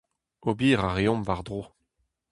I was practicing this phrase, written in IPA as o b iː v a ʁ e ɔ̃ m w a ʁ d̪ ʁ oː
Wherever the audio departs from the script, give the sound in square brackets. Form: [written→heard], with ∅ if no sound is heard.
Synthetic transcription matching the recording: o b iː [v→ʁ] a ʁ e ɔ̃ m [w→v] a ʁ d̪ ʁ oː